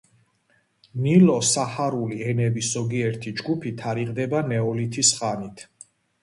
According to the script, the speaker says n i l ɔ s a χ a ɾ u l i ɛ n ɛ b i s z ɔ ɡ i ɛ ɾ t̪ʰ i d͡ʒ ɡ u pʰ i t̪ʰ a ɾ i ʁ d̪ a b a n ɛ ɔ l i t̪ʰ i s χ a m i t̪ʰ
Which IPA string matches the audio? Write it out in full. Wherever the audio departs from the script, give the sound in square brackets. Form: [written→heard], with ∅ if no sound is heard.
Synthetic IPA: n i l ɔ s a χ a ɾ u l i ɛ n ɛ b i s z ɔ ɡ i ɛ ɾ t̪ʰ i d͡ʒ ɡ u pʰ i t̪ʰ a ɾ i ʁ d̪ [a→ɛ] b a n ɛ ɔ l i t̪ʰ i s χ a [m→n] i t̪ʰ